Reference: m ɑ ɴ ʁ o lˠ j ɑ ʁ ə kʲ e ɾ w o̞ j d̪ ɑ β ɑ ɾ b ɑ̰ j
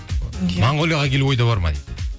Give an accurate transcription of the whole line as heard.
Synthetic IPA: m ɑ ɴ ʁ o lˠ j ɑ ʁ ɑ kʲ e l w o̞ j d̪ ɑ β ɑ ɾ m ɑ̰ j